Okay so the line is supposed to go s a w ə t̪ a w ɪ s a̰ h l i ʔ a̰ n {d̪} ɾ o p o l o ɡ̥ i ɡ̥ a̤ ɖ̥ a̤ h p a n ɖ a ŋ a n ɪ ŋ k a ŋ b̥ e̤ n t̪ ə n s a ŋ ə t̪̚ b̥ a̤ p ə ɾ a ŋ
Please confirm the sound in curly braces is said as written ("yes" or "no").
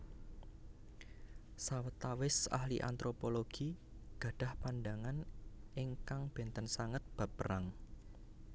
no